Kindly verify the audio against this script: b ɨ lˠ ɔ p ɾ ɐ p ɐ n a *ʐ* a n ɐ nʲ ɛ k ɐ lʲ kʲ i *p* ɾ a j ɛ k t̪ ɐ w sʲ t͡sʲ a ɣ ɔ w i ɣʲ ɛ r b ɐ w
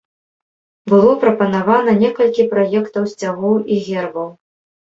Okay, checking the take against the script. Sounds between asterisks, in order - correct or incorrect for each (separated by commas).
incorrect, correct